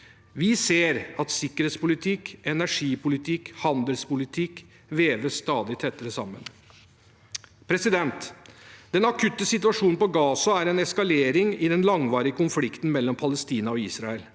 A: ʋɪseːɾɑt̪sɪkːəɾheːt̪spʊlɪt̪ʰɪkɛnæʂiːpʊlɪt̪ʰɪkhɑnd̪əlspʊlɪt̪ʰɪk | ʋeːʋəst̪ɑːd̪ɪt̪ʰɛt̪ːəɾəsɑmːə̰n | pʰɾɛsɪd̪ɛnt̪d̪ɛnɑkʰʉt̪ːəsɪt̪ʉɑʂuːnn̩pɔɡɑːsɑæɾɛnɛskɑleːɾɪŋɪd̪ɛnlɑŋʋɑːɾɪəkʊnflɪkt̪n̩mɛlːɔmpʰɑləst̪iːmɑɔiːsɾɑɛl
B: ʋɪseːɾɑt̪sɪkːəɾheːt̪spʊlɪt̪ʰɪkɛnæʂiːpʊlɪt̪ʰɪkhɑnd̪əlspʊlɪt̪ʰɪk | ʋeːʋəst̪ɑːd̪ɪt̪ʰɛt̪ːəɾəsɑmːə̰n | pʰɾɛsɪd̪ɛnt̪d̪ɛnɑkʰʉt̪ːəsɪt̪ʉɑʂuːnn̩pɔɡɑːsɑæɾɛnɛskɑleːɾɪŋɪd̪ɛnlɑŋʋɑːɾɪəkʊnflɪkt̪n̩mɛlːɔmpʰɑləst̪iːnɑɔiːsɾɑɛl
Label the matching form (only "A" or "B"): B